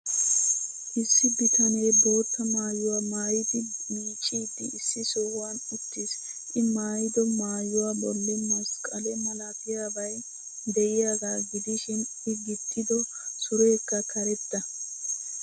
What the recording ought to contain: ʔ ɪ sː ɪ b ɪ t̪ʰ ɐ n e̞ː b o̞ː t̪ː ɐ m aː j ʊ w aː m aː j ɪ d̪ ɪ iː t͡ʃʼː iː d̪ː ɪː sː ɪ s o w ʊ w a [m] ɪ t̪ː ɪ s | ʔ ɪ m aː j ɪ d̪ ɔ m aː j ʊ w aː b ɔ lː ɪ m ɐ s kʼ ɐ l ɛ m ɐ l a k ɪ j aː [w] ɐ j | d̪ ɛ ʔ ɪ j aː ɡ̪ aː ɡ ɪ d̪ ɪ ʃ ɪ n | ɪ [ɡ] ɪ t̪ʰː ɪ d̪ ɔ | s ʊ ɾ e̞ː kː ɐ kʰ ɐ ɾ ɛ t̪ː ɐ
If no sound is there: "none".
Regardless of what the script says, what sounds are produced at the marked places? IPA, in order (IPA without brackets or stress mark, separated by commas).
n, b, ɡ